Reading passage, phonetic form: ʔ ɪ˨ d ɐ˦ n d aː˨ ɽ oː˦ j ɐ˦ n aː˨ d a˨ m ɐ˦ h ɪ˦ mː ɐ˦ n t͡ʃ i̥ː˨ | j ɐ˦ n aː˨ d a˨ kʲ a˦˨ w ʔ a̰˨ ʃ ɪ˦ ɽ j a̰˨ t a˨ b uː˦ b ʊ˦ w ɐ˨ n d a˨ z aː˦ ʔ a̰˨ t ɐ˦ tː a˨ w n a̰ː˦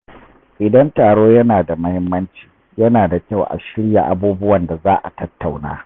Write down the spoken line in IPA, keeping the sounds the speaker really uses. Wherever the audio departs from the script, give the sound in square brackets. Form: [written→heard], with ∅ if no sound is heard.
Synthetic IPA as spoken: ʔ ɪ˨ d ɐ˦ n [d→t] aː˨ ɽ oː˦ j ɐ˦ n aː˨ d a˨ m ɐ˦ h ɪ˦ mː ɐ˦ n t͡ʃ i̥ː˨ | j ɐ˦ n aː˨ d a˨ kʲ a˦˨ w ʔ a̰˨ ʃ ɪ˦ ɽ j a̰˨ [t→ʔ] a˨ b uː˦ b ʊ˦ w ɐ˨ n d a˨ z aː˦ ʔ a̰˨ t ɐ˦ tː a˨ w n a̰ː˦